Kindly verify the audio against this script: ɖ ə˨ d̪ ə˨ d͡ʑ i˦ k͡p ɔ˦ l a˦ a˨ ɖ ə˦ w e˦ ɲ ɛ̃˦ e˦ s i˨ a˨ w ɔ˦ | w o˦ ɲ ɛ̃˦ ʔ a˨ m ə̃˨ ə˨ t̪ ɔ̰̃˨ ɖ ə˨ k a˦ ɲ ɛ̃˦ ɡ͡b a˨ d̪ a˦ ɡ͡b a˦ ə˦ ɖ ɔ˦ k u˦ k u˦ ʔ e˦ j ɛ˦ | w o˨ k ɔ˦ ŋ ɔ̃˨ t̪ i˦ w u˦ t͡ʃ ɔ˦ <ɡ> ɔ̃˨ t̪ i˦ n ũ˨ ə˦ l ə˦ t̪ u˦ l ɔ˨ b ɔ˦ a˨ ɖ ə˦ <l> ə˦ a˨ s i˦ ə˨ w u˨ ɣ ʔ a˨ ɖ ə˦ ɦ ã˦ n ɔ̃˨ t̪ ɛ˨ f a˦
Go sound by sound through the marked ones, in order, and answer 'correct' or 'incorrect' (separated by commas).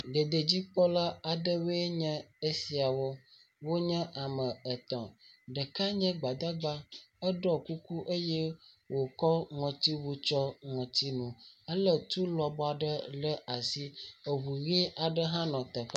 incorrect, correct